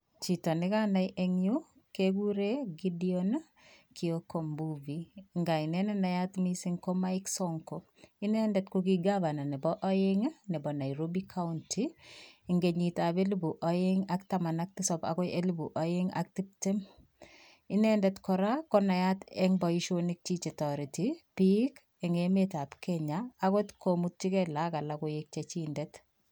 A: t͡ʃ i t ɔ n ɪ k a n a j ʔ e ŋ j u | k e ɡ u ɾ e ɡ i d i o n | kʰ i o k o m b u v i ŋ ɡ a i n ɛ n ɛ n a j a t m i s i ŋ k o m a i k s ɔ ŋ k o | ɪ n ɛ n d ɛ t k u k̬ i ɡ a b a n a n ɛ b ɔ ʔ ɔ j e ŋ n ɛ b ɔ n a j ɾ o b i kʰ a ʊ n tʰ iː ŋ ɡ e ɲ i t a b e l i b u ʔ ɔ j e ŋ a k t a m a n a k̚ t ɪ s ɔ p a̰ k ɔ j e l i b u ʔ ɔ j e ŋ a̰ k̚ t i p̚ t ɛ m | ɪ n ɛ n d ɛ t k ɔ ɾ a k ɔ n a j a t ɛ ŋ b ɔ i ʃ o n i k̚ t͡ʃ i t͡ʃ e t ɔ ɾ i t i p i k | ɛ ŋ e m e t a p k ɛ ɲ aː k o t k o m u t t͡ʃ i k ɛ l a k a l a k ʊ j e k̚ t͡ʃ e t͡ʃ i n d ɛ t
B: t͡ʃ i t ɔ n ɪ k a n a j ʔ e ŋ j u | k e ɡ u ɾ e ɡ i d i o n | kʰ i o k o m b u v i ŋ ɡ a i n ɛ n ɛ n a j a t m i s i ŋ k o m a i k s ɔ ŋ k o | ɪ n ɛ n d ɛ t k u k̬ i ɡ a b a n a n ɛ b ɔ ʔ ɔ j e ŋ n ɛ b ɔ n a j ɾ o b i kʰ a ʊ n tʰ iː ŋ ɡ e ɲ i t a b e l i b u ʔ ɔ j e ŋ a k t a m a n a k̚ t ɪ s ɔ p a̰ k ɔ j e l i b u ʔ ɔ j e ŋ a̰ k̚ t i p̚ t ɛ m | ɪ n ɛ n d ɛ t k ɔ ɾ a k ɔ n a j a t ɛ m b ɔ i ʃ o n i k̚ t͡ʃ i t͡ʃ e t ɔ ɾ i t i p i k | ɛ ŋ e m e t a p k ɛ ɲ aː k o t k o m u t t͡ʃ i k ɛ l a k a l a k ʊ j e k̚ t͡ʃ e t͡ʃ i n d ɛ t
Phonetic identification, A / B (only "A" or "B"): A